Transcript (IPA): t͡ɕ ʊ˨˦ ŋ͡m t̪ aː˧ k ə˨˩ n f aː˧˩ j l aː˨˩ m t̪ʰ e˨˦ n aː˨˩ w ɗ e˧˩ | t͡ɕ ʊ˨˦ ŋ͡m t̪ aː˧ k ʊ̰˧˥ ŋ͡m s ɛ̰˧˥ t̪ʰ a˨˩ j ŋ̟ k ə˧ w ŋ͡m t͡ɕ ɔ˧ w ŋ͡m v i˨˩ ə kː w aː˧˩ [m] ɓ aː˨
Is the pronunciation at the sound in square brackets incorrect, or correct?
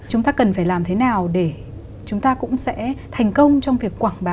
incorrect